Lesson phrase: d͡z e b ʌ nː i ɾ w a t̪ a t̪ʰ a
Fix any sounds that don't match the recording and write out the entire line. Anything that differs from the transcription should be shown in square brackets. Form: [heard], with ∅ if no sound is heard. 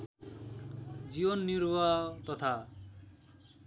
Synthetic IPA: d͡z [i] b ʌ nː i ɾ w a t̪ [ʌ] t̪ʰ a